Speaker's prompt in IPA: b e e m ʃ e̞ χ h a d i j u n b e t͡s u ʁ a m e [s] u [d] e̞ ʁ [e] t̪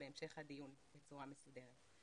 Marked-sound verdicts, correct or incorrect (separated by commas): correct, correct, correct